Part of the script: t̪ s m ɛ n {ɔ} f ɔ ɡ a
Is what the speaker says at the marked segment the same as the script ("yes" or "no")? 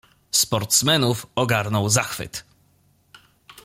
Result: no